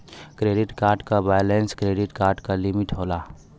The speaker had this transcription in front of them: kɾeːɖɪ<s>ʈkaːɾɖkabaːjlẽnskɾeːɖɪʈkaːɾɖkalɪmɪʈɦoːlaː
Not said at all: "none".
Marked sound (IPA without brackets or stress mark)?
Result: none